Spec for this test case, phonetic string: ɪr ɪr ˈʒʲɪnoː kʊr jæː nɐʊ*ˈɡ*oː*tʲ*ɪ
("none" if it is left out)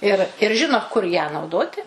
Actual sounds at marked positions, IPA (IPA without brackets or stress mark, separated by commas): d, tʲ